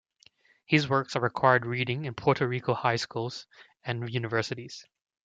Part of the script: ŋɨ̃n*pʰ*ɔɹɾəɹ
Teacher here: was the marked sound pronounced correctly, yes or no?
yes